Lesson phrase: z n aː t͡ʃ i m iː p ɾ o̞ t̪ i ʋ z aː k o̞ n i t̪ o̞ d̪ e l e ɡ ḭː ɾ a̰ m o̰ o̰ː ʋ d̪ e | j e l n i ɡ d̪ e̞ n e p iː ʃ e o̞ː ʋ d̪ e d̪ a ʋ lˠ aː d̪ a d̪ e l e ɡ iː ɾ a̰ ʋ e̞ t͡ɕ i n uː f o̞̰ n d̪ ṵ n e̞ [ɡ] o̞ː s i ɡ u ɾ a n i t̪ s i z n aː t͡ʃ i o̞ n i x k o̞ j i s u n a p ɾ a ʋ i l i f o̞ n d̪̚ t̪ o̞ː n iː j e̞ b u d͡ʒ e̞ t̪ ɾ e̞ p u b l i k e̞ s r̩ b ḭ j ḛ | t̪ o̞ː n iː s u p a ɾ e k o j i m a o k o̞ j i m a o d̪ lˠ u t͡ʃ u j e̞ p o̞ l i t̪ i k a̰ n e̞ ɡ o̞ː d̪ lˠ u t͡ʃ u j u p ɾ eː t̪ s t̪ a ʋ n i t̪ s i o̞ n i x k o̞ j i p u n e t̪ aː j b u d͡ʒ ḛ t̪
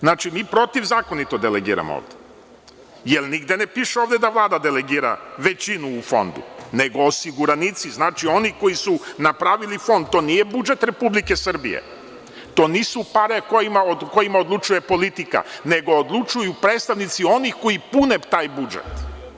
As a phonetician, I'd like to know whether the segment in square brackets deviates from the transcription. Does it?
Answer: no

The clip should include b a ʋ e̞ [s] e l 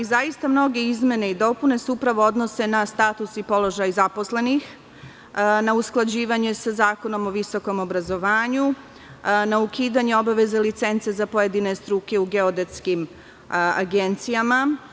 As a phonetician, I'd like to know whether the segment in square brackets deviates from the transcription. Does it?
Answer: yes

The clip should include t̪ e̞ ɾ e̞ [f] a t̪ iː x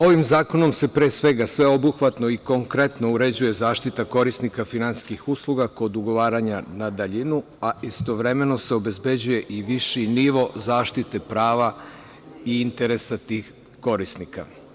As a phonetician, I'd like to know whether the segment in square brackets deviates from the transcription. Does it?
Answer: yes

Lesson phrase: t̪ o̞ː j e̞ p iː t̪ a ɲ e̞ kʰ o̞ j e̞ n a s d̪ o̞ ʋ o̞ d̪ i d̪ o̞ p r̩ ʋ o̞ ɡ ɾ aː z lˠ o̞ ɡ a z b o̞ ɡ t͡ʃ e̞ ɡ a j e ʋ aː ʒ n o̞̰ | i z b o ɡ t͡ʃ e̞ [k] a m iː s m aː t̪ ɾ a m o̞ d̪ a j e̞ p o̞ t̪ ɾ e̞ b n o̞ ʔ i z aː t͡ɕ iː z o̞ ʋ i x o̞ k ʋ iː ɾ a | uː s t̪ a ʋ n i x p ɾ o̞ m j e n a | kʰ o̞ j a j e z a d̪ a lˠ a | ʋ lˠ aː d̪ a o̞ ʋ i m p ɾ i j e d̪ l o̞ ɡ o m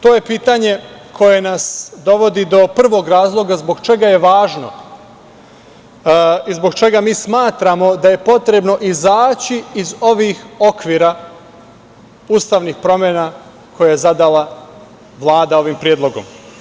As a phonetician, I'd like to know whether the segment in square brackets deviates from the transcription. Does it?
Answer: yes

